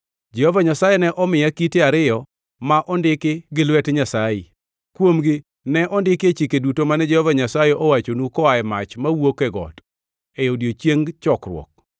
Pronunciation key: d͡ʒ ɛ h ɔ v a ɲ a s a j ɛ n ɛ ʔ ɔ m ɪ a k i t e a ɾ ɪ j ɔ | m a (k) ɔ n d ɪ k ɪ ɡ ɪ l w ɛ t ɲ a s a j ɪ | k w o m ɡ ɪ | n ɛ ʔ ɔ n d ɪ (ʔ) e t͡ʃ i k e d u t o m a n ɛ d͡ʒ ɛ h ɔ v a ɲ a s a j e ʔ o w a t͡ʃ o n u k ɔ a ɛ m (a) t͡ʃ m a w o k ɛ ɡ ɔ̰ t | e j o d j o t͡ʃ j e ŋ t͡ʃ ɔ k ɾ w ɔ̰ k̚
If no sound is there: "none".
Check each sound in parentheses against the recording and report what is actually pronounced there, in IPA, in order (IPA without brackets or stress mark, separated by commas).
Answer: ʔ, k, a